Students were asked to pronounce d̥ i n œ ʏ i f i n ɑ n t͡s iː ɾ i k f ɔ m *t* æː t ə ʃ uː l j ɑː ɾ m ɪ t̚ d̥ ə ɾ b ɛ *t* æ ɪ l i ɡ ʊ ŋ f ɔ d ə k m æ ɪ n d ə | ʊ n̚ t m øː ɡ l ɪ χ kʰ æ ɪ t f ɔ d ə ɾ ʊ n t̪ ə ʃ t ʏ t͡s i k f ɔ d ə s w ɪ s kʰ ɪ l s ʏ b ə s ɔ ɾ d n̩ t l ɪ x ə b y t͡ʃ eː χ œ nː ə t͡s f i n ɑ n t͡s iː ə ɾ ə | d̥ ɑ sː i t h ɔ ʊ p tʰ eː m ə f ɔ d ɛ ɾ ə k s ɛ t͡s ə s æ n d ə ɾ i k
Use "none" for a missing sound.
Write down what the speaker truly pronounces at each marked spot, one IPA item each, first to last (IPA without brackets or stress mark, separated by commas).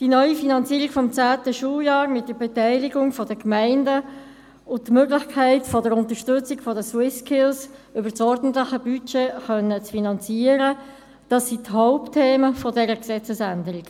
t͡s, t